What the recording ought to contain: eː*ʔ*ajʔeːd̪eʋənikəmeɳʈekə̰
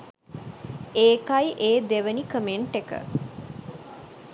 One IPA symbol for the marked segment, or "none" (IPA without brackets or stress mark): k